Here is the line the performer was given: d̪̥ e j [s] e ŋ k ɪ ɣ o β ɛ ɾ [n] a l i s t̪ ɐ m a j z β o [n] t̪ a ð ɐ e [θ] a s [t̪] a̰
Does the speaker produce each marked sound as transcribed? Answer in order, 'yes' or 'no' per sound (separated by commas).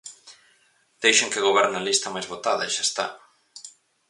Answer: no, yes, no, no, yes